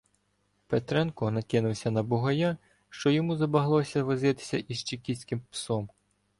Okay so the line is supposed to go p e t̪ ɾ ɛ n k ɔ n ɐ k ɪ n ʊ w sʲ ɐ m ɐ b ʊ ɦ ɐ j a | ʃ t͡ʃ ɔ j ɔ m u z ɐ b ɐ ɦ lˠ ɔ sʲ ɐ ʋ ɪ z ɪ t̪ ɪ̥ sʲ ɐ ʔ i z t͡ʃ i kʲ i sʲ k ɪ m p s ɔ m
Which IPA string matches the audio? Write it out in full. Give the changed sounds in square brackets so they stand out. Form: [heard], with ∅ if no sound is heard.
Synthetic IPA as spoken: p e t̪ ɾ ɛ n k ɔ n ɐ k ɪ n ʊ w sʲ ɐ [n] ɐ b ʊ ɦ ɐ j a | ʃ t͡ʃ ɔ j ɔ m u z ɐ b ɐ ɦ lˠ ɔ sʲ ɐ ʋ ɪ z ɪ t̪ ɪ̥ sʲ ɐ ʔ i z t͡ʃ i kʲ i sʲ k ɪ m p s ɔ m